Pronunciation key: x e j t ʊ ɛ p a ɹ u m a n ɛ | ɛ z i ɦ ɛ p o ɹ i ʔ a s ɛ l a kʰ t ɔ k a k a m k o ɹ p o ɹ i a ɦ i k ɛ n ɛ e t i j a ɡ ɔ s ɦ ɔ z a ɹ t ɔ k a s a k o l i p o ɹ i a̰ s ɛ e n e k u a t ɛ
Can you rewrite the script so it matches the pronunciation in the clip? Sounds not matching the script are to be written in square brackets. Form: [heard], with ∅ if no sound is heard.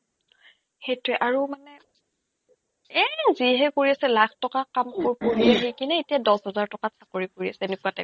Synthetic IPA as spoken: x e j t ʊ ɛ [ʔ] a ɹ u m a n ɛ | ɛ z i ɦ ɛ [k] o ɹ i [∅] a s ɛ l a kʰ t ɔ k a k a m k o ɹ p o ɹ i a ɦ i k [i] n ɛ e t i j a [d] ɔ s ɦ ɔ z a ɹ t ɔ k a s a k o [ɹ] i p o ɹ i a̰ s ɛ e n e k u a t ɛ